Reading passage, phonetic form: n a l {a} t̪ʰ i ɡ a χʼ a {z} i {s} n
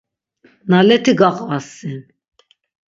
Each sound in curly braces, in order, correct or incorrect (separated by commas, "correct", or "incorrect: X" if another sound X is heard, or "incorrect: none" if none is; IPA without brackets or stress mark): incorrect: ɛ, incorrect: s, incorrect: none